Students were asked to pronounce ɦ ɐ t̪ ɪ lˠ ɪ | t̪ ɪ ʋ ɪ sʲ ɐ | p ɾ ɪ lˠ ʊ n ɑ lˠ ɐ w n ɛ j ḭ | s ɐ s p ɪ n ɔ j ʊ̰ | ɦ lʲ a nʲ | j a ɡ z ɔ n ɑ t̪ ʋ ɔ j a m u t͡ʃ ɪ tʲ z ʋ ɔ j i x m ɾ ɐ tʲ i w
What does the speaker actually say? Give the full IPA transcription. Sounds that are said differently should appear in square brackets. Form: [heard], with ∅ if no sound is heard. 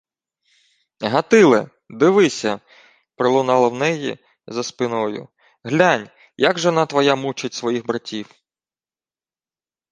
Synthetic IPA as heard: ɦ ɐ t̪ ɪ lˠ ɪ | [d̪] ɪ ʋ ɪ sʲ ɐ | p ɾ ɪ lˠ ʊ n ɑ lˠ ɐ w n ɛ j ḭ | [z] ɐ s p ɪ n ɔ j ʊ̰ | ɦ lʲ a nʲ | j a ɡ [ʒ] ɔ n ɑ t̪ ʋ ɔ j a m u t͡ʃ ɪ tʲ [s] ʋ ɔ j i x [b] ɾ ɐ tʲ i w